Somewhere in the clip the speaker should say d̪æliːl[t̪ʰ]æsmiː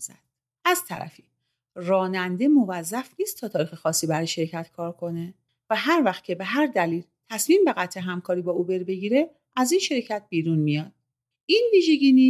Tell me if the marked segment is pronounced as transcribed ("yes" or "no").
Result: yes